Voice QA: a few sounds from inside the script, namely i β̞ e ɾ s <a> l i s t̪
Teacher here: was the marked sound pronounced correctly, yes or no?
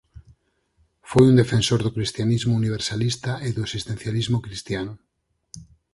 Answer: yes